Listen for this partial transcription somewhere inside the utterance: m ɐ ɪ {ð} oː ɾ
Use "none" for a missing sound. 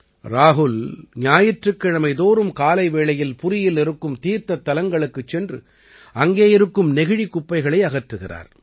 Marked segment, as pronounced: ð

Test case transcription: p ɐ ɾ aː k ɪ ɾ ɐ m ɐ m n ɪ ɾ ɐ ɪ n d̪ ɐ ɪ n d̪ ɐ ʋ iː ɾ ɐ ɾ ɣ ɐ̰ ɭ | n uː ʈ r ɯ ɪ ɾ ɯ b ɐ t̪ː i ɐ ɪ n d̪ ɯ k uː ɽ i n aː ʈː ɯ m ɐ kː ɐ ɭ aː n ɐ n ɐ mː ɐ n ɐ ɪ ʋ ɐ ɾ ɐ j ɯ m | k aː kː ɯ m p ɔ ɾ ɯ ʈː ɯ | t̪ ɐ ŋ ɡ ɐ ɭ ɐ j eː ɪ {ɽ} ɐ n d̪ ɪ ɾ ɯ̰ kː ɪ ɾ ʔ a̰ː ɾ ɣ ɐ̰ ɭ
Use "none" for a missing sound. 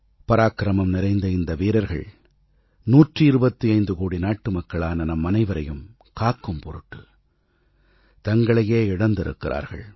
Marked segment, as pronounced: ɽ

